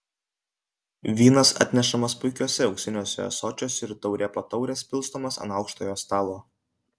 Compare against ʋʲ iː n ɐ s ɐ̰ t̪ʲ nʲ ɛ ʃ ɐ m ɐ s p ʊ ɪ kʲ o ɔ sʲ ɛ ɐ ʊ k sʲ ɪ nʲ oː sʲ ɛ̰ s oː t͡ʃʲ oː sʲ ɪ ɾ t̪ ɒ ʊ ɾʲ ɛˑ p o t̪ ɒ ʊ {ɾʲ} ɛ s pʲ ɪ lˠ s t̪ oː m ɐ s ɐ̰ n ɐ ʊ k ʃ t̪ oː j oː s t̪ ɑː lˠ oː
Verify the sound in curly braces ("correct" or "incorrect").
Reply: correct